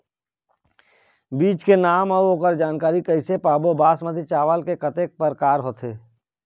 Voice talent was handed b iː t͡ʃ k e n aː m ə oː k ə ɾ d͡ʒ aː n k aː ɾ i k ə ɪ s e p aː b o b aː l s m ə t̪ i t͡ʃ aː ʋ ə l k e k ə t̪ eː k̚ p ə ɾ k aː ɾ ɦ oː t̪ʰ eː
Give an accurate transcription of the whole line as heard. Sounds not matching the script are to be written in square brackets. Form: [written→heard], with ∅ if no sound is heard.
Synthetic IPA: b iː t͡ʃ k e n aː m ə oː k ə ɾ d͡ʒ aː n k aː ɾ i k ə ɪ s e p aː b o b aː [l→∅] s m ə t̪ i t͡ʃ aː ʋ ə l k e k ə t̪ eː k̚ p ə ɾ k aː ɾ ɦ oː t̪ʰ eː